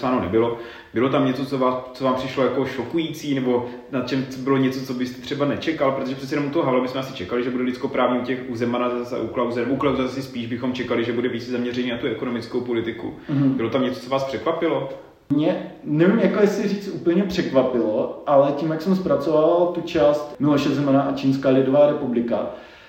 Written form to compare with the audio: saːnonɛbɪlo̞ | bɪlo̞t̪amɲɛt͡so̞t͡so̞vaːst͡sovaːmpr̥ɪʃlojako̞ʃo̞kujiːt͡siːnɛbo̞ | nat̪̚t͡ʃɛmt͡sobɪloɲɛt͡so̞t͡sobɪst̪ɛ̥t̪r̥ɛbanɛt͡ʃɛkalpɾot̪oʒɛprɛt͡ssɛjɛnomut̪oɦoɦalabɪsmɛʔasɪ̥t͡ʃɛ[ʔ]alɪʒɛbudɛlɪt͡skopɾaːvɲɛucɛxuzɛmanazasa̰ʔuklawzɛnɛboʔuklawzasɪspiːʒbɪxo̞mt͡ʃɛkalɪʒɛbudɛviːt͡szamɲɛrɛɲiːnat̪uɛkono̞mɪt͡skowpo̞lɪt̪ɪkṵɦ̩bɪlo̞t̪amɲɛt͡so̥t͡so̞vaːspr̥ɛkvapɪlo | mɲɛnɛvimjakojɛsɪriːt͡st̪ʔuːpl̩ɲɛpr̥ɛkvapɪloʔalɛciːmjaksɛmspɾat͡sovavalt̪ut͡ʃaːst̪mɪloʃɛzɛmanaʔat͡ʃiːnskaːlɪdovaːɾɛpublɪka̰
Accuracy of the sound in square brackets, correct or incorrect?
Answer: incorrect